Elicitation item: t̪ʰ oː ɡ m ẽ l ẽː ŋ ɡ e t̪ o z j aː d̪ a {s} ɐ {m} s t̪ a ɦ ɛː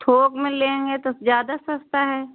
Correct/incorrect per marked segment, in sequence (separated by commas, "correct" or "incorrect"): correct, incorrect